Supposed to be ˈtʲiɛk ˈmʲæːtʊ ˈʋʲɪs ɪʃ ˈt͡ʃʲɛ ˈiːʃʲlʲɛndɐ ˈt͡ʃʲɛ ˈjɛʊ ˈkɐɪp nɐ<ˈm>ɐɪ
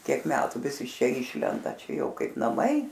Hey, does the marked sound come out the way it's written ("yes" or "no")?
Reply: yes